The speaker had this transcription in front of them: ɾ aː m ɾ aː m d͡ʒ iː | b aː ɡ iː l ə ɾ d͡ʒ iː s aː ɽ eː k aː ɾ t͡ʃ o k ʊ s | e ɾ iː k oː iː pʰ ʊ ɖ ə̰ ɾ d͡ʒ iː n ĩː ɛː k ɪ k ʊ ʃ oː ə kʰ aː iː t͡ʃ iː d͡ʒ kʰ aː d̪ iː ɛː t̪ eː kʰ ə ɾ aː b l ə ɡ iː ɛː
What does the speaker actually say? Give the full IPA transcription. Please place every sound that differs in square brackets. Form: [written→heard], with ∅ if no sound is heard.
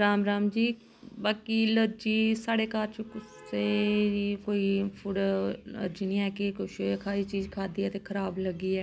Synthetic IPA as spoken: ɾ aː m ɾ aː m d͡ʒ iː | b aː [ɡ→k] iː l ə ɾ d͡ʒ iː s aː ɽ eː k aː ɾ t͡ʃ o k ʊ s | e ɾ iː k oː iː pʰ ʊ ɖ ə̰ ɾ d͡ʒ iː n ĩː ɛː k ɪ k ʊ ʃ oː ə kʰ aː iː t͡ʃ iː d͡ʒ kʰ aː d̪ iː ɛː t̪ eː kʰ ə ɾ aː b l ə ɡ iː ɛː